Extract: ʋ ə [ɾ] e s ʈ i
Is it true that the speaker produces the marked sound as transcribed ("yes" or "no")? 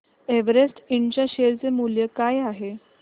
yes